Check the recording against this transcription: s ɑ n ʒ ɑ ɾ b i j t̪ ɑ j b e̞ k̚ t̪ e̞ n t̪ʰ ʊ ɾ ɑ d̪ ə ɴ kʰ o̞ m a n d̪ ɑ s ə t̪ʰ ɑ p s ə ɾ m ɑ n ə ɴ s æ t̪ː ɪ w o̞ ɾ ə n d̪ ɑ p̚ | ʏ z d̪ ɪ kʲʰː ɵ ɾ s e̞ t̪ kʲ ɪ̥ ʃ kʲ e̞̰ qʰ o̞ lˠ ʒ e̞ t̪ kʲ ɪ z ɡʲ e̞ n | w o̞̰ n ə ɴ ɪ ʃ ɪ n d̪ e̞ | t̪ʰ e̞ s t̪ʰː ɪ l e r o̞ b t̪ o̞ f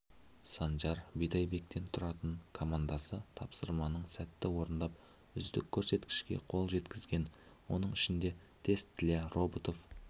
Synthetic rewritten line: s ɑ n ʒ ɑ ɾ b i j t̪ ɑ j b e̞ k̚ t̪ e̞ n t̪ʰ ʊ ɾ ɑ t̪ ə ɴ kʰ o̞ m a n d̪ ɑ s ə t̪ʰ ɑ p s ə ɾ m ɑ n ə ɴ s æ t̪ː ɪ w o̞ ɾ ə n d̪ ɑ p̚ | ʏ z d̪ ɪ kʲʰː ɵ ɾ s e̞ t̪ kʲ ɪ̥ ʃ kʲ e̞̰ qʰ o̞ lˠ ʒ e̞ t̪ kʲ ɪ z ɡʲ e̞ n | w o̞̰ n ə ɴ ɪ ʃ ɪ n d̪ e̞ | t̪ʰ e̞ s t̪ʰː ɪ l e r o̞ b t̪ o̞ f